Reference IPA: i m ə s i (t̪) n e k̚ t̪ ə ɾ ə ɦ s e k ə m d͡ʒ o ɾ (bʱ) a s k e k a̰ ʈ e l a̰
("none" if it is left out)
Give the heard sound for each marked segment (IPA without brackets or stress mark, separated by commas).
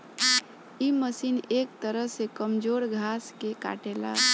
none, ɡʱ